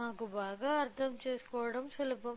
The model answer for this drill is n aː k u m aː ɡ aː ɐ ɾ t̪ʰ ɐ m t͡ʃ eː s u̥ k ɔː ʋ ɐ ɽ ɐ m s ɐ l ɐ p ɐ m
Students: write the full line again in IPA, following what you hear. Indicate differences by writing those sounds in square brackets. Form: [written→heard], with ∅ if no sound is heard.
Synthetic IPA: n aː k u [m→b] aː ɡ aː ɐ ɾ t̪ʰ ɐ m t͡ʃ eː s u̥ k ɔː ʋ ɐ ɽ ɐ m s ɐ l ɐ p ɐ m